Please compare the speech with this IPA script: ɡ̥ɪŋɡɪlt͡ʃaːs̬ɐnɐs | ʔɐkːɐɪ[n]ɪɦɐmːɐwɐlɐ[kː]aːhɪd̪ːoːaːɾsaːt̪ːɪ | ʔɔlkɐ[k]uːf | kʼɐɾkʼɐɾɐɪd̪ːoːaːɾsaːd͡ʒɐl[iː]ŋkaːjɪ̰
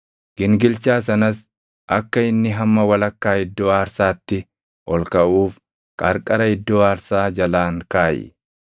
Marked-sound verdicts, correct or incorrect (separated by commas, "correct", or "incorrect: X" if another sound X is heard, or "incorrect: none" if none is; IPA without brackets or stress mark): incorrect: nː, correct, incorrect: ʔ, incorrect: aː